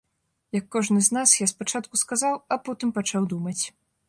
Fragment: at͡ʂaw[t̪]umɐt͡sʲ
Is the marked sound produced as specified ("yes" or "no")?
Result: no